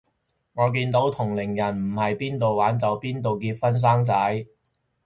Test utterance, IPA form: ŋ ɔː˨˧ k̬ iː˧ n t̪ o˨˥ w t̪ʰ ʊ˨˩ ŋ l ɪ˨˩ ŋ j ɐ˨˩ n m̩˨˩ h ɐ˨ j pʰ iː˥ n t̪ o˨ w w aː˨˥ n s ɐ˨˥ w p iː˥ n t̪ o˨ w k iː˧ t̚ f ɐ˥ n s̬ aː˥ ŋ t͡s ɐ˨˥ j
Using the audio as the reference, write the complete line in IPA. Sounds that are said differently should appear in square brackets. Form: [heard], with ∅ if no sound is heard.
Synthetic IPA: ŋ ɔː˨˧ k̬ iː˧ n t̪ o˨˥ w t̪ʰ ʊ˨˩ ŋ l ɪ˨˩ ŋ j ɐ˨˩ n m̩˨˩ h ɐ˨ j [p] iː˥ n t̪ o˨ w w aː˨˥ n [t͡s] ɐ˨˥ w p iː˥ n t̪ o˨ w k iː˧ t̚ f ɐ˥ n s̬ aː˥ ŋ t͡s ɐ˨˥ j